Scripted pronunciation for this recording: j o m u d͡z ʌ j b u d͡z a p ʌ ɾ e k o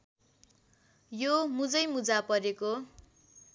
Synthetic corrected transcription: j o m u d͡z ʌ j m u d͡z a p ʌ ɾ e k o